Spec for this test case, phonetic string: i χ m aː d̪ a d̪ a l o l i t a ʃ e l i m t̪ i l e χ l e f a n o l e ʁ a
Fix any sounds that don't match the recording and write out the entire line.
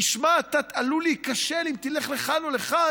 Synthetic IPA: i ʃ m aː t̪ a t̪ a l u l i k a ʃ e l i m t̪ i l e χ l e χ a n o l e χ a